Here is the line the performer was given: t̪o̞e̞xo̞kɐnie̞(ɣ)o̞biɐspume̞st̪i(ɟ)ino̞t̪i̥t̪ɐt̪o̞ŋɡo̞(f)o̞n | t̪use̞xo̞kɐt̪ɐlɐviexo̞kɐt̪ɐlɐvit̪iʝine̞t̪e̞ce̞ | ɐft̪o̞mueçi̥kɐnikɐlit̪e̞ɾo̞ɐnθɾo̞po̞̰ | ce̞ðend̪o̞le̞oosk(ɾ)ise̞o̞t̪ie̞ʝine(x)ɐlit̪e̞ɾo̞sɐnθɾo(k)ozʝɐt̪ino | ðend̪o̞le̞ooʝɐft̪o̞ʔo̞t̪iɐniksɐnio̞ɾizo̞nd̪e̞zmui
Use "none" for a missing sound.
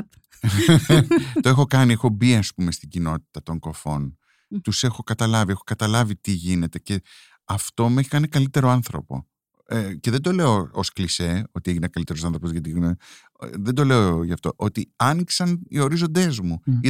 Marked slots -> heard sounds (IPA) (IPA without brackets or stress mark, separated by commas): x, ɟ, f, l, k, p